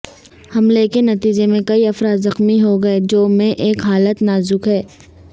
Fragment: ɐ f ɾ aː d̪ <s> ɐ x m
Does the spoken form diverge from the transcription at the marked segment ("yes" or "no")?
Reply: yes